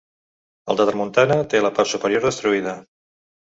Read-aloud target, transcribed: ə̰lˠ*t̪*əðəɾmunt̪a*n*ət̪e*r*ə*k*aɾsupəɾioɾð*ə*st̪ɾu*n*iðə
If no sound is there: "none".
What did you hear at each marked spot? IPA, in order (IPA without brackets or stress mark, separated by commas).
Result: d̪, n, l, p, ə, none